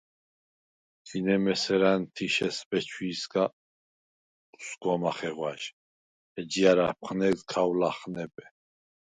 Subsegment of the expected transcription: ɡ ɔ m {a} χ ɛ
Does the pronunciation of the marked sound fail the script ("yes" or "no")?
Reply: no